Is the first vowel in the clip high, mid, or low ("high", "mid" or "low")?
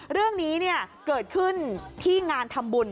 high